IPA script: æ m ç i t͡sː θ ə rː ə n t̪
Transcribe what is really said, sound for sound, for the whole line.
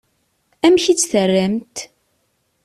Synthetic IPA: æ m ç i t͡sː θ ə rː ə m t̪

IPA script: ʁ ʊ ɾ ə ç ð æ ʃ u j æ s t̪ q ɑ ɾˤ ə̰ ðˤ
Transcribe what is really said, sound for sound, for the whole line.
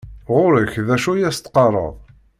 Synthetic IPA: ʁ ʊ ɾ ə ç ð æ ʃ u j æ s t̪ q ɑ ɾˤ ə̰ ðˤ

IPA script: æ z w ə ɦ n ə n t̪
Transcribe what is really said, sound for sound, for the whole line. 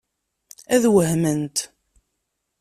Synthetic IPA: æ ð w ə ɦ m ə n t̪

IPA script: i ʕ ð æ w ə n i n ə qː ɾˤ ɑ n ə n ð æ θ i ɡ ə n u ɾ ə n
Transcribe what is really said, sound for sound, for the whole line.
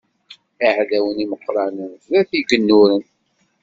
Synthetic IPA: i ʕ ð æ w ə n i m ə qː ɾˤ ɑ n ə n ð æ θ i ɡ ə nː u ɾ ə n

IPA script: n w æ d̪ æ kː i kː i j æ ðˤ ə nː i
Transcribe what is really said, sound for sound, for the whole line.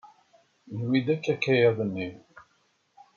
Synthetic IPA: n w i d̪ æ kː æ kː æ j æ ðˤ ə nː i

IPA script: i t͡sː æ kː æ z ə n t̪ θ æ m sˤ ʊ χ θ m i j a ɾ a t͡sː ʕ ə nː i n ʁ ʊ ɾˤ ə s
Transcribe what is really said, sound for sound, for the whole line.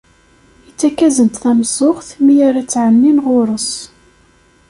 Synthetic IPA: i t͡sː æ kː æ z ə n t̪ θ æ m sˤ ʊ χ θ m i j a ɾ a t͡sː ʕ ə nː i n ʁ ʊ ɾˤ ə s

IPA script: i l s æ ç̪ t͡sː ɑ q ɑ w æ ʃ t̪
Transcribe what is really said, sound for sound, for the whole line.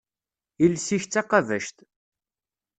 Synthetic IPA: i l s i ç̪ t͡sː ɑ q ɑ v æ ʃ t̪

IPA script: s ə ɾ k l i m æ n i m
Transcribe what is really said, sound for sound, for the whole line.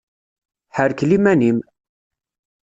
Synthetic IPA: ħ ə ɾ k l i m æ n i m

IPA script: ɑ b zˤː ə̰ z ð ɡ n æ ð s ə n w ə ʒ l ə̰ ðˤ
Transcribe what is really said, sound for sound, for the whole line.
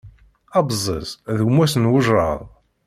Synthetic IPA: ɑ b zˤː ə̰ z ð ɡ m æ s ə n w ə ʒ ɾ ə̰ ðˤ

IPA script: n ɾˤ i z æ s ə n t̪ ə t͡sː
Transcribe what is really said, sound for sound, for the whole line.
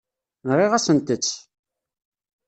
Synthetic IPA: n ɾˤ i ʁ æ s ə n t̪ ə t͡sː

